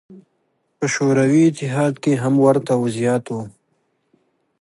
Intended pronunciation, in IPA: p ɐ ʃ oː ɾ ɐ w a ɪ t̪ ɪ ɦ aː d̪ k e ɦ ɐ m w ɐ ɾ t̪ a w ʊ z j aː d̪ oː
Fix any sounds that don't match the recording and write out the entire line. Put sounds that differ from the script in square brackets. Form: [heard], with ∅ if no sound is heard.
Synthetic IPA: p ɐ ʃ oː ɾ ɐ w [i] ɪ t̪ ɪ ɦ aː d̪ k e ɦ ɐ m w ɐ ɾ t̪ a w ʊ z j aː [t̪] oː